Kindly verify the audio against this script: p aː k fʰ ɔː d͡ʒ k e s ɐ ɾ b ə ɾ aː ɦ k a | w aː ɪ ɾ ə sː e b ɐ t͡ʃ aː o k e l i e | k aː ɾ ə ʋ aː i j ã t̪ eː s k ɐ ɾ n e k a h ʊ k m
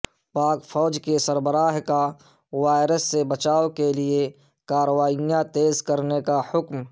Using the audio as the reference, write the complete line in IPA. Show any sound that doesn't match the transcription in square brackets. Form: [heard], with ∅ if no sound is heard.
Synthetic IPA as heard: p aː k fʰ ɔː d͡ʒ k e s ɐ ɾ b ə ɾ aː ɦ k a | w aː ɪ ɾ ə sː e b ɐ t͡ʃ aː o k e l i e | k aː ɾ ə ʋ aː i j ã t̪ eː [z] k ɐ ɾ n e k a h ʊ k m

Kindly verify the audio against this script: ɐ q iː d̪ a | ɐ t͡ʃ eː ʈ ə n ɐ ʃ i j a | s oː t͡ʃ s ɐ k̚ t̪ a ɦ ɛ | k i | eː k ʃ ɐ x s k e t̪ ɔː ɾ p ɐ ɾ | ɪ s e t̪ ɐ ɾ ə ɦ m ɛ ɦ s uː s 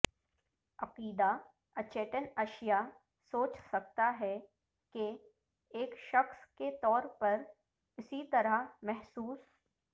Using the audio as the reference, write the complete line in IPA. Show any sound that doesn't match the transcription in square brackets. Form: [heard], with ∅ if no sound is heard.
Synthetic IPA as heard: ɐ q iː d̪ a | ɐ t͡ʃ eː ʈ ə n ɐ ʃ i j a | s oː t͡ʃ s ɐ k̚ t̪ a ɦ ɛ | k [e] | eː k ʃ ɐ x s k e t̪ ɔː ɾ p ɐ ɾ | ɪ s [i] t̪ ɐ ɾ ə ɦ m ɛ ɦ s uː s

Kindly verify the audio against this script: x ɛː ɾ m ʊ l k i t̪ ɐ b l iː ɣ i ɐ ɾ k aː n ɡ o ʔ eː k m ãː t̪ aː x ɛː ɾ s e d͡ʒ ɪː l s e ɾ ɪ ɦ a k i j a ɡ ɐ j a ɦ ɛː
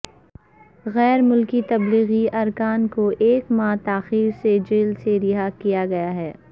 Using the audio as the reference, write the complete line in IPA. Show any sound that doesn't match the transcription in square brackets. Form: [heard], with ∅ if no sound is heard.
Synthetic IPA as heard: [ɣ] ɛː ɾ m ʊ l k i t̪ ɐ b l iː ɣ i ɐ ɾ k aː n [k] o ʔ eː k m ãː t̪ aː x [iː] ɾ s e d͡ʒ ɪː l s e ɾ ɪ ɦ a k i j a ɡ ɐ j a ɦ ɛː

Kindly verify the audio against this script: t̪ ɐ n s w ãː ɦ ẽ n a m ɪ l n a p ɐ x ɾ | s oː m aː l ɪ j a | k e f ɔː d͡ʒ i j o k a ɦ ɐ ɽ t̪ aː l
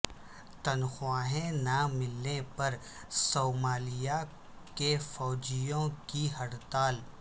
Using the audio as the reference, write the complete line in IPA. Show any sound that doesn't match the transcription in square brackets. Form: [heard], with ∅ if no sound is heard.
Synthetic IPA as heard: t̪ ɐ n [x] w [aː] ɦ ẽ n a m ɪ l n [e] p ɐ [∅] ɾ | s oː m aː l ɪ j a | k e f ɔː d͡ʒ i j [õ] k [i] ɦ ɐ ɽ t̪ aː l

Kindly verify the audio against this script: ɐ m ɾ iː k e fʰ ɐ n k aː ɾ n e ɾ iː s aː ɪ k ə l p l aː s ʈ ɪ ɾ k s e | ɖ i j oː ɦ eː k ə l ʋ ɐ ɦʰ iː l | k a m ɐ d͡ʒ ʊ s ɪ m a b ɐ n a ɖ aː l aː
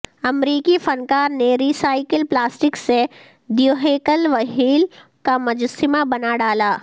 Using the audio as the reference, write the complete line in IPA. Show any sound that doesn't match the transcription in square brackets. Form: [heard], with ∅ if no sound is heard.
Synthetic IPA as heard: ɐ m ɾ iː k [i] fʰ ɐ n k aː ɾ n e ɾ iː s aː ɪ k ə l p l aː s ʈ ɪ [∅] k s e | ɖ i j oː ɦ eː k ə l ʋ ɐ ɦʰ iː l | k a m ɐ d͡ʒ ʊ s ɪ m a b ɐ n a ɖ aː l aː

